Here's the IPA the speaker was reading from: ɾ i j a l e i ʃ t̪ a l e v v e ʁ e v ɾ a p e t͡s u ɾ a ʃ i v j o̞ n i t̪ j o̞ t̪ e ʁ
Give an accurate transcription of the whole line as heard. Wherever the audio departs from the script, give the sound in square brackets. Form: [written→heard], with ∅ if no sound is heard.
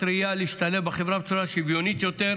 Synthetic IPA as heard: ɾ i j a l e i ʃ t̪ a l e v [v→b] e [ʁ→χ] e v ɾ a [p→b] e t͡s u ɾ a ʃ i v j o̞ n i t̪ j o̞ t̪ e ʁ